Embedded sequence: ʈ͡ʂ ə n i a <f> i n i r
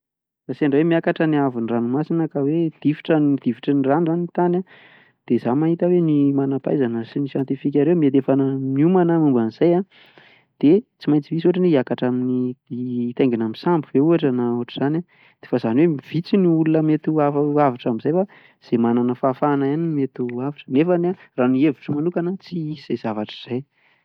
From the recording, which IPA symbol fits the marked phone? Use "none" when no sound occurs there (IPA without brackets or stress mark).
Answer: v